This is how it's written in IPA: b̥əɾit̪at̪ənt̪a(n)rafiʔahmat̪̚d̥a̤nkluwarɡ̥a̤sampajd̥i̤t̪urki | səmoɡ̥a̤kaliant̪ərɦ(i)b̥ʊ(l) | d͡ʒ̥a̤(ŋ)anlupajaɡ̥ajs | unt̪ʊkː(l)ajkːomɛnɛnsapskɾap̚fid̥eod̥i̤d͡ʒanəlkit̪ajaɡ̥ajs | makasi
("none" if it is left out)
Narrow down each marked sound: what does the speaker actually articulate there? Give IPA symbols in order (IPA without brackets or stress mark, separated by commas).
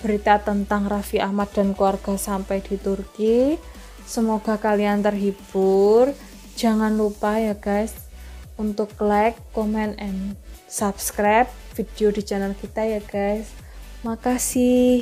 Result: ŋ, i, r, ŋ, l